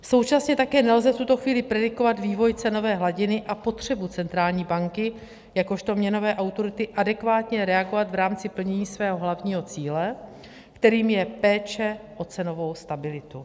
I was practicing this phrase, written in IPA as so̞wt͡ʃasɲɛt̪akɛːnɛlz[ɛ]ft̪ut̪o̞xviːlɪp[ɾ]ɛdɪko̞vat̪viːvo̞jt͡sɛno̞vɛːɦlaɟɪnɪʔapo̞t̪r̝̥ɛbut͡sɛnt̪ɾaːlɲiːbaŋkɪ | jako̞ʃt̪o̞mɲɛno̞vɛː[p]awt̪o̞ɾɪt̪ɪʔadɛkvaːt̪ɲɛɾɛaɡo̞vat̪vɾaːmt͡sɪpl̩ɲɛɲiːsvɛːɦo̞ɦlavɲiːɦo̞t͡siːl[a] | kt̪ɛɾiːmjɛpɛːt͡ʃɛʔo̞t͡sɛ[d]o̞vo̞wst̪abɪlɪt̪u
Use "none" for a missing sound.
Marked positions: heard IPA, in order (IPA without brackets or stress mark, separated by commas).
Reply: ɛ, ɾ, ʔ, ɛ, n